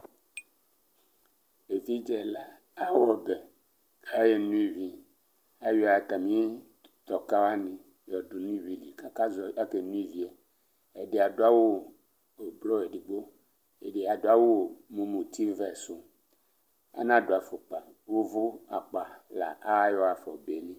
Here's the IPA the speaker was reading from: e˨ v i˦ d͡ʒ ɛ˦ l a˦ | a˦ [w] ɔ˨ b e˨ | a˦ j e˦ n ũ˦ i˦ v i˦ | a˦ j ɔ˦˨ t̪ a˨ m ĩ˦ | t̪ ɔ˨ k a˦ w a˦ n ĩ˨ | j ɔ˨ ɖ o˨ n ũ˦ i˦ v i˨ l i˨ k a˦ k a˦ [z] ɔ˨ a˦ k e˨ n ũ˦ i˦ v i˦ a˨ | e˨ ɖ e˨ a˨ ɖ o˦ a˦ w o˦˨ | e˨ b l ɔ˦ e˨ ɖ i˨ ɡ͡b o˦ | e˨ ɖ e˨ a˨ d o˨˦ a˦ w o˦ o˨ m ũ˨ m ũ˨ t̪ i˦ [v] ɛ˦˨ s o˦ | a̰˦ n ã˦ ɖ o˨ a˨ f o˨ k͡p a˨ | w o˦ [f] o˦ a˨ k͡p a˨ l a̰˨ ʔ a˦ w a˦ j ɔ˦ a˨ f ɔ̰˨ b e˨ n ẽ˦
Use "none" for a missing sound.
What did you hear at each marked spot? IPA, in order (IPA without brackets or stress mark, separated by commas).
w, z, v, v